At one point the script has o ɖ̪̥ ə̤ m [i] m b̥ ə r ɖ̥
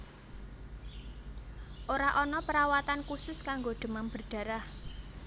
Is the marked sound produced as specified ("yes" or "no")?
no